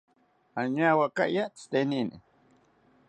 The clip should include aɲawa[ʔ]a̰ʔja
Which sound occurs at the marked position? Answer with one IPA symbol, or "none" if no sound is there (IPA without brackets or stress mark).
k